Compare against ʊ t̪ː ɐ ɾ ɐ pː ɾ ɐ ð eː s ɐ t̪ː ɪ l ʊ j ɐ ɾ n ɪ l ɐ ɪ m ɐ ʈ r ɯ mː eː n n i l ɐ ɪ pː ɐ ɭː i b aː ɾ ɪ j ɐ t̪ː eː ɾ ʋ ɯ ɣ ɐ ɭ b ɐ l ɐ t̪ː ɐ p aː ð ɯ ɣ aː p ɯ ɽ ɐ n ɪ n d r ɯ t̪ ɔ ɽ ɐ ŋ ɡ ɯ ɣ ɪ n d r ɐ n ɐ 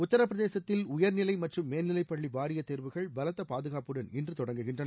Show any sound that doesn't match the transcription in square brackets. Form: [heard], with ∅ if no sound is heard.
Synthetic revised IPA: ʊ t̪ː ɐ ɾ ɐ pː ɾ ɐ ð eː s ɐ t̪ː ɪ l ʊ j ɐ ɾ n ɪ l ɐ ɪ m ɐ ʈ r ɯ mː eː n n [ɪ] l ɐ ɪ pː ɐ ɭː i b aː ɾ ɪ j ɐ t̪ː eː ɾ ʋ ɯ ɣ ɐ ɭ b ɐ l ɐ t̪ː ɐ p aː ð ɯ ɣ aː p ɯ ɽ ɐ n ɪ n d r ɯ t̪ ɔ ɽ ɐ ŋ ɡ ɯ ɣ ɪ n d r ɐ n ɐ